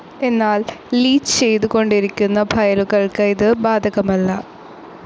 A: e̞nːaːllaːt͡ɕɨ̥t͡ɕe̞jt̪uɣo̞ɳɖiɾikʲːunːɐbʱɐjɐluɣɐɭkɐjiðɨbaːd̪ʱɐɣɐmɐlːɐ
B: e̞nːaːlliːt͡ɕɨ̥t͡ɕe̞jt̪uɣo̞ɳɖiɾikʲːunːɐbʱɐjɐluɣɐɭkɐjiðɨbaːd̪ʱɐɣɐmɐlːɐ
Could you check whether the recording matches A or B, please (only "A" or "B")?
B